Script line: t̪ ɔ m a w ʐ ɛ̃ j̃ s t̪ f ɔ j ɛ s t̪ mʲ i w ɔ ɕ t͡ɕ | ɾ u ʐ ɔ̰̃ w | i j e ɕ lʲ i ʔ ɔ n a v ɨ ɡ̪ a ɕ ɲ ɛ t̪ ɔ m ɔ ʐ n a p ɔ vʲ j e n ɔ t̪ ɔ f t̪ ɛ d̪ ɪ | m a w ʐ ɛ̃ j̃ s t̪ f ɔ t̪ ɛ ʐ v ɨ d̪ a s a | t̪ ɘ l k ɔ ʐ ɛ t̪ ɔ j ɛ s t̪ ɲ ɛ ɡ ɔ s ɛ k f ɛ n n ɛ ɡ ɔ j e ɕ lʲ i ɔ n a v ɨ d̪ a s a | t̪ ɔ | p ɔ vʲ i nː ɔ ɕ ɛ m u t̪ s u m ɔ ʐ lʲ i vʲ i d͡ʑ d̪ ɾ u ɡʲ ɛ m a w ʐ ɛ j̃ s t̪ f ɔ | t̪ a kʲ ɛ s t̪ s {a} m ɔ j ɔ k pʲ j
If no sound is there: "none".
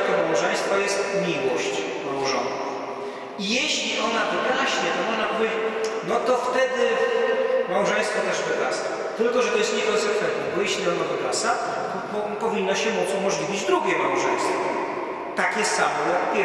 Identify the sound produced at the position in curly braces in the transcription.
a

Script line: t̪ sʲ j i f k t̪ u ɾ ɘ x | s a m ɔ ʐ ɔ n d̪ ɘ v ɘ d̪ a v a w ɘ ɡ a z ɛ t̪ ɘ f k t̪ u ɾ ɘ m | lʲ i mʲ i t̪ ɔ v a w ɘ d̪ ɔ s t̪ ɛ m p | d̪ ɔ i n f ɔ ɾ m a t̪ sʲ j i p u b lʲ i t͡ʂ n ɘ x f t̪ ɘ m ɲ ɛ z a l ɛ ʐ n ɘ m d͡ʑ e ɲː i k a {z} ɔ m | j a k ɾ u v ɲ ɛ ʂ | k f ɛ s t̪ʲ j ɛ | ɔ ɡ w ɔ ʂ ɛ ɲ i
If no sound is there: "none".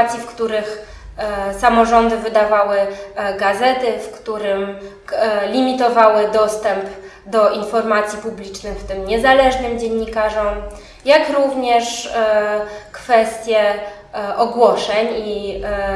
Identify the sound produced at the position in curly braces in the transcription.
ʐ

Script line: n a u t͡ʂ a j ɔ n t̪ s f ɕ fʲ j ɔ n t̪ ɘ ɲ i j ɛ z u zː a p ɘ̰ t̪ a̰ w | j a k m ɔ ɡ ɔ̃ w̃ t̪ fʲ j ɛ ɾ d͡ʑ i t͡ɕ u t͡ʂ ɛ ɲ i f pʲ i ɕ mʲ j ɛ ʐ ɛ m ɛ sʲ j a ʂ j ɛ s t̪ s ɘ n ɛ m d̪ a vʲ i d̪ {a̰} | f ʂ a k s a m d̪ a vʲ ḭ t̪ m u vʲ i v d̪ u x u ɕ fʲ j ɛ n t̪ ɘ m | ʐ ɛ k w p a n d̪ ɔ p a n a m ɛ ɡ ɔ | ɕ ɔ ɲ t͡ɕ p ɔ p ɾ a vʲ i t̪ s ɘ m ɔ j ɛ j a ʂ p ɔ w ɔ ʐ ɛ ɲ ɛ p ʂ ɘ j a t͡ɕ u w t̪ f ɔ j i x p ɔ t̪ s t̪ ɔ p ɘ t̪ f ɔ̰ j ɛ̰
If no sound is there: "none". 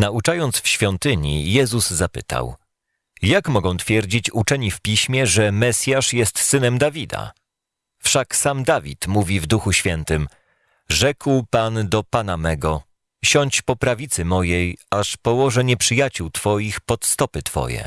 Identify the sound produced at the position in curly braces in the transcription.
a̰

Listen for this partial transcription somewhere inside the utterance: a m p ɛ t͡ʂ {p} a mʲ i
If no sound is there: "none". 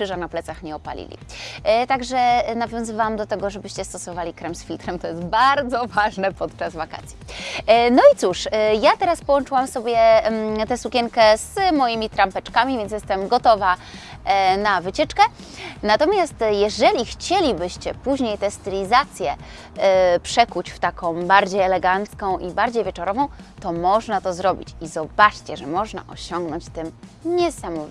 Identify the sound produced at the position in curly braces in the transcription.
k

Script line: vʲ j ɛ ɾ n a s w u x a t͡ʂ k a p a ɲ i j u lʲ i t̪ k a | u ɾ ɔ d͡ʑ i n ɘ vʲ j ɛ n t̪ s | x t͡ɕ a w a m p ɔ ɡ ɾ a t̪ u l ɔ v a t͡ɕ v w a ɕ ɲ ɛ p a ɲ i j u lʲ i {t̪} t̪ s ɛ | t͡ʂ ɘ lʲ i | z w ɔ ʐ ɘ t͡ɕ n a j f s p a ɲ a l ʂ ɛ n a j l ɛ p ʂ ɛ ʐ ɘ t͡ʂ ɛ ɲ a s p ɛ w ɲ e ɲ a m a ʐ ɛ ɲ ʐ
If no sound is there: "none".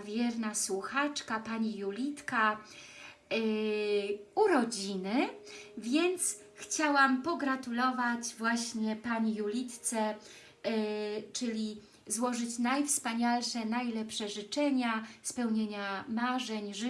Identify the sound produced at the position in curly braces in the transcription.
t̪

